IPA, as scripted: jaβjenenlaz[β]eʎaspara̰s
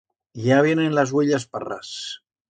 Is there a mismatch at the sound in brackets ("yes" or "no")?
yes